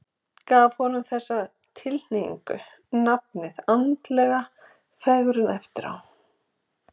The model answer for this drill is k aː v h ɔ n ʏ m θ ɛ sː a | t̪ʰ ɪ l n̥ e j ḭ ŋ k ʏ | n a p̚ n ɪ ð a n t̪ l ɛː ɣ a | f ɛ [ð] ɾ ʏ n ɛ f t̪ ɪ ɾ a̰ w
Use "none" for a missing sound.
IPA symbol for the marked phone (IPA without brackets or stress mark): ɣ